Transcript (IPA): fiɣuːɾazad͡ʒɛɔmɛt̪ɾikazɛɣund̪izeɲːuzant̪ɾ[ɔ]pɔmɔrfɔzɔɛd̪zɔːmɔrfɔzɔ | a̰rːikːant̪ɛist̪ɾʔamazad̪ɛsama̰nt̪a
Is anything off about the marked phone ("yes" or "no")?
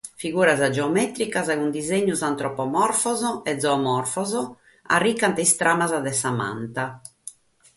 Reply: no